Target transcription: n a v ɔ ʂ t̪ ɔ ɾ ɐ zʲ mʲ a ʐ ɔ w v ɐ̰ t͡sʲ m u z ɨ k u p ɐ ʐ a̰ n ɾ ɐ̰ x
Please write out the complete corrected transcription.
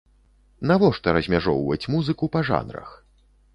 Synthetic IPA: n a v ɔ ʂ t̪ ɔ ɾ ɐ zʲ mʲ a ʐ ɔ w v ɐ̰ t͡sʲ m u z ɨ k u p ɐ ʐ a̰ n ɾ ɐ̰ x